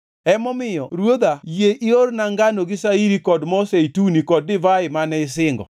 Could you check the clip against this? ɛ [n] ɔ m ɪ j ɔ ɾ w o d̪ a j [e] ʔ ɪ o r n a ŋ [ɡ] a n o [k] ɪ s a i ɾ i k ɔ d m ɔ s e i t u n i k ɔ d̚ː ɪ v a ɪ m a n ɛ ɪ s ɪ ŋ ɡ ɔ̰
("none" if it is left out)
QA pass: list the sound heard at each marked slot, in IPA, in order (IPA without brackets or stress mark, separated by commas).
m, e, ɡ, ɡ